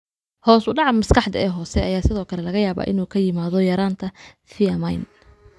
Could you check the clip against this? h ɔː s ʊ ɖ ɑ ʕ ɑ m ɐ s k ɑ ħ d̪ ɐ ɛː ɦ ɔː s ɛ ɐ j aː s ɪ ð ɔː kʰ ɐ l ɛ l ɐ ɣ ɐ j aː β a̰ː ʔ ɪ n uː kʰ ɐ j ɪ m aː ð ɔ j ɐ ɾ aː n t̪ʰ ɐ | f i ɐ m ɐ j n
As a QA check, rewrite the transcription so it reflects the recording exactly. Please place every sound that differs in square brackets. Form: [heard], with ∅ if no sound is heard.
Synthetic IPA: h ɔː s ʊ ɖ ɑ ʕ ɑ m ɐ s k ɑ ħ d̪ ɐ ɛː ɦ ɔː s ɛ ɐ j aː s ɪ ð ɔː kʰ ɐ l ɛ l ɐ ɣ ɐ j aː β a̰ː ʔ ɪ n uː kʰ ɐ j ɪ m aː ð ɔ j ɐ ɾ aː n t̪ʰ ɐ | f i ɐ m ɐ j n